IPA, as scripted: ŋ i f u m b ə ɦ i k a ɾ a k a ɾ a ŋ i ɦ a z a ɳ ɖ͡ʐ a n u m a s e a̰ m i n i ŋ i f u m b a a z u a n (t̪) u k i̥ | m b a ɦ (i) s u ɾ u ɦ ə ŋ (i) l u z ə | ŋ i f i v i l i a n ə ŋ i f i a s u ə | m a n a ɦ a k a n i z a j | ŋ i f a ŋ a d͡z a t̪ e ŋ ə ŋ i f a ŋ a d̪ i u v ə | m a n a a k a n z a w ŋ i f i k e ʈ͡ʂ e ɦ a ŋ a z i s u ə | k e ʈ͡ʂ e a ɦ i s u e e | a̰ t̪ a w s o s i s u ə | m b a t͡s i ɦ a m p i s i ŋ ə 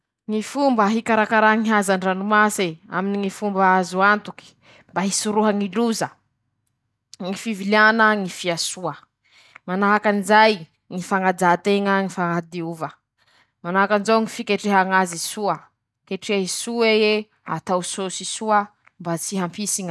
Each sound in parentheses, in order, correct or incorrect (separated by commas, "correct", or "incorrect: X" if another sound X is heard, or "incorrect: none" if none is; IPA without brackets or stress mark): correct, correct, correct